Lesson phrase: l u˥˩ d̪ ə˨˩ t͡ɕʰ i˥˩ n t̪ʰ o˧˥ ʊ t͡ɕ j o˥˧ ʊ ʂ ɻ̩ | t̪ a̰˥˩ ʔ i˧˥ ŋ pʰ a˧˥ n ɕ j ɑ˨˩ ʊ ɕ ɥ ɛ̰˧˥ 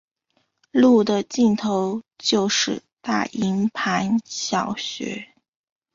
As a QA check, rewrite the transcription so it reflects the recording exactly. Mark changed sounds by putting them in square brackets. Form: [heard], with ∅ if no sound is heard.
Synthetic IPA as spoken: l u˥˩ d̪ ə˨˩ [t͡ɕ] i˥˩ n t̪ʰ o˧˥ ʊ t͡ɕ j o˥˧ ʊ ʂ ɻ̩ | t̪ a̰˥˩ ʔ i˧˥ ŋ pʰ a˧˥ n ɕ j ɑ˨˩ ʊ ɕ ɥ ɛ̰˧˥